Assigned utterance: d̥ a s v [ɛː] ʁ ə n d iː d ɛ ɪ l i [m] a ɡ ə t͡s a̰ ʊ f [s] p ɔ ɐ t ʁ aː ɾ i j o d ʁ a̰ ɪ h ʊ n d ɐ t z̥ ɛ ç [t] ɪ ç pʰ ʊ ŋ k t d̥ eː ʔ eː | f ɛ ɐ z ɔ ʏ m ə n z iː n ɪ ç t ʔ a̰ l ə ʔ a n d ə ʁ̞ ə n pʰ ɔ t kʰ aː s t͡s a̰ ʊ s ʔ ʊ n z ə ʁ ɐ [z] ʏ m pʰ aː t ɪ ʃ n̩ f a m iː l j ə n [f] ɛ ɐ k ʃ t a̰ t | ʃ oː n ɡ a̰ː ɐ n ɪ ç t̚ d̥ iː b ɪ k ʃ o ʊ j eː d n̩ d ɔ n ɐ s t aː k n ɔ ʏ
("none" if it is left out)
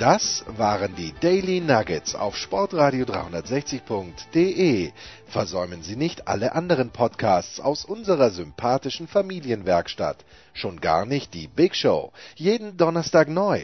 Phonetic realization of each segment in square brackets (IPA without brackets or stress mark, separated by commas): aː, n, ʃ, t͡s, z, v